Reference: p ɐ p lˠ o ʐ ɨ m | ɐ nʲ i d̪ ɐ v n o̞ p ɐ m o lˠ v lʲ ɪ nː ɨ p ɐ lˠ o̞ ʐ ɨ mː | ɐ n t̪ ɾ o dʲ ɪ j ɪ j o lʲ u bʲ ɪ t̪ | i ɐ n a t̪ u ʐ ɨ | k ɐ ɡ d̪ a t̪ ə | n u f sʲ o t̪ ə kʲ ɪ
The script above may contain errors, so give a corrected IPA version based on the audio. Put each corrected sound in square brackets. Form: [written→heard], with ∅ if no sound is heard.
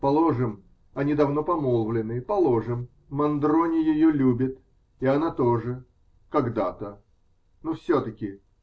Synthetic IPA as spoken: p ɐ [p→∅] lˠ o ʐ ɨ m | ɐ nʲ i d̪ ɐ v n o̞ p ɐ m o lˠ v lʲ ɪ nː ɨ p ɐ lˠ o̞ ʐ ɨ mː | ɐ n [t̪→d̪] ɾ o [dʲ→nʲ] ɪ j ɪ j o lʲ u bʲ ɪ t̪ | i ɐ n a t̪ [u→o] ʐ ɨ | k ɐ ɡ d̪ a t̪ ə | n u f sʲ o t̪ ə kʲ ɪ